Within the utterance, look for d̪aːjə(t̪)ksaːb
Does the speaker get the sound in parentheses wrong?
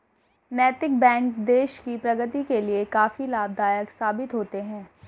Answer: yes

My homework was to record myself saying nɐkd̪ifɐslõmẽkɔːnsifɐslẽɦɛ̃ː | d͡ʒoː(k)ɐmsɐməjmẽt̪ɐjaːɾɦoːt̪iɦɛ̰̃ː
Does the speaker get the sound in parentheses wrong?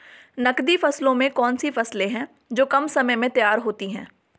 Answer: no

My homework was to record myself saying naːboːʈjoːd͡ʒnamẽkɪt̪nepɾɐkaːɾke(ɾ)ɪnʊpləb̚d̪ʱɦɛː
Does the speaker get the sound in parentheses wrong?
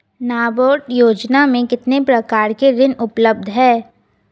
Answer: no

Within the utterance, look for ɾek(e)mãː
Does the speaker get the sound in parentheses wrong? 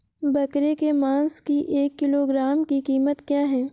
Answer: no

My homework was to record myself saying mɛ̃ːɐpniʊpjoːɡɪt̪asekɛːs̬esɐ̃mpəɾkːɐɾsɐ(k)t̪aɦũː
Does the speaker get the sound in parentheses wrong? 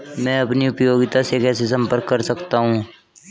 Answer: no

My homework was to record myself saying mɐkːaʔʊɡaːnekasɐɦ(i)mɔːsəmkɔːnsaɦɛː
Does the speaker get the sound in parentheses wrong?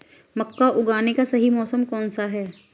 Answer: no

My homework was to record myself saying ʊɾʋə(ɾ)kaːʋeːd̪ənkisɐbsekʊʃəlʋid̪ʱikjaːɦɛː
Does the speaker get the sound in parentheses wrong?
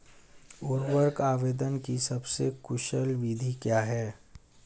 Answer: no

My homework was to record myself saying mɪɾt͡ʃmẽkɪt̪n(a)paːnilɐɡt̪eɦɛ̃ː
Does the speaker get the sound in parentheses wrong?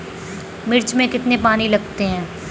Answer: yes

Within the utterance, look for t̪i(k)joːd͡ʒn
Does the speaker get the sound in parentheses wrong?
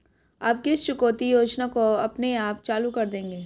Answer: yes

